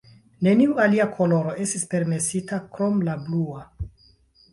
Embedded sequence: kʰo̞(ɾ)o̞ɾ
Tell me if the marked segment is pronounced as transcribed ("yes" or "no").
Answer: no